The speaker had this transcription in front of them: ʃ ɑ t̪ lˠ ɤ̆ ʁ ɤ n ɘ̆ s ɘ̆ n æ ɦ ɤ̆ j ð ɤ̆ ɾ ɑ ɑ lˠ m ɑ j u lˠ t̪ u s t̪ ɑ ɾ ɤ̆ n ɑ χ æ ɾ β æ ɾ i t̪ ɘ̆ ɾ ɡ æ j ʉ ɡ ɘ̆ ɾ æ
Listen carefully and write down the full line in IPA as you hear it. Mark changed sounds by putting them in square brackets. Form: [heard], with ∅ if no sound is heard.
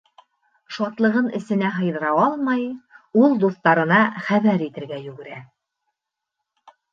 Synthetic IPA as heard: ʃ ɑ t̪ lˠ ɤ̆ ʁ ɤ n ɘ̆ s ɘ̆ n æ ɦ ɤ̆ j ð ɤ̆ ɾ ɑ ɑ lˠ m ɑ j u lˠ [d̪] u [θ] t̪ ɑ ɾ ɤ̆ n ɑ χ æ [∅] β æ ɾ i t̪ ɘ̆ ɾ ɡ æ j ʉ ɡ ɘ̆ ɾ æ